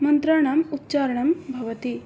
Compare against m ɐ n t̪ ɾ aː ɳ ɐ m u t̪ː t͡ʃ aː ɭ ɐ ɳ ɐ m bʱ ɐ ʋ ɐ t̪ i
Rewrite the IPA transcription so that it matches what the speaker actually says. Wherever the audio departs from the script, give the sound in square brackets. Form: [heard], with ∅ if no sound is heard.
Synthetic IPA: m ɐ n t̪ ɾ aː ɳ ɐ m u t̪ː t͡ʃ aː [ɾ] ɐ ɳ ɐ m bʱ ɐ ʋ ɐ t̪ i